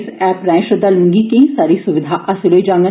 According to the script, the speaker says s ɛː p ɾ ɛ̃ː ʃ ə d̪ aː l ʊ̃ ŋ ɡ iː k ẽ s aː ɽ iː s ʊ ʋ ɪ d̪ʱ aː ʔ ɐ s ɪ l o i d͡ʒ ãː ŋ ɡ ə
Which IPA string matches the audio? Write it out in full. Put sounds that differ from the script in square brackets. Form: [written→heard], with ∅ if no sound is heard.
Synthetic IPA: s ɛː p ɾ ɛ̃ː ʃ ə d̪ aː l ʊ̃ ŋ ɡ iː k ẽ s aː [ɽ→ɾ] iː s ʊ ʋ ɪ d̪ʱ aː ʔ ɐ s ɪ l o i d͡ʒ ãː ŋ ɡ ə